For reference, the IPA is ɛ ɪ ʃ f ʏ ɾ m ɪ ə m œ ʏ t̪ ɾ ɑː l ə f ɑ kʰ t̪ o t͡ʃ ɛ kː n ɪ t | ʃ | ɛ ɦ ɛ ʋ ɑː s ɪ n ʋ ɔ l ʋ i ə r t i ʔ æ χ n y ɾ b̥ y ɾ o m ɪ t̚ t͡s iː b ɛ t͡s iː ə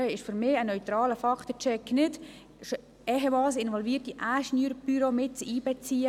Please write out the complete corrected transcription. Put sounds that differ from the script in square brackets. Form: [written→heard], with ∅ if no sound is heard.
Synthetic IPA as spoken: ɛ ɪ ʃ f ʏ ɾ m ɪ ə [m→n] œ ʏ t̪ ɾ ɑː l ə f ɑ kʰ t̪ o t͡ʃ ɛ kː n ɪ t | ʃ | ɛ ɦ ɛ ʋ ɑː s ɪ n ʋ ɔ l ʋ i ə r t i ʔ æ [χ→ʃ] n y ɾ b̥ y ɾ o m ɪ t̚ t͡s iː b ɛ t͡s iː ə